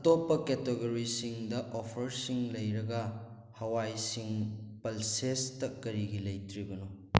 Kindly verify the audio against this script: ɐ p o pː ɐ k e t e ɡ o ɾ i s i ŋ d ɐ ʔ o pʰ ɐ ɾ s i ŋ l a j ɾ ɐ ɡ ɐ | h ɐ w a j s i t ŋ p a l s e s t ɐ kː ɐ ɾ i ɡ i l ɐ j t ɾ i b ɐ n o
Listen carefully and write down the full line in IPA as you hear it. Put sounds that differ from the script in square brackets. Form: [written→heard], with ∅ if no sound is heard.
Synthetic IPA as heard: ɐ [p→t] o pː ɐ k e t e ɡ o ɾ i s i ŋ d ɐ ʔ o pʰ ɐ ɾ s i ŋ l [a→ɐ] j ɾ ɐ ɡ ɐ | h ɐ w a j s i [t→∅] ŋ p [a→ɐ] l s e s t ɐ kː ɐ ɾ i ɡ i l ɐ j t ɾ i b ɐ n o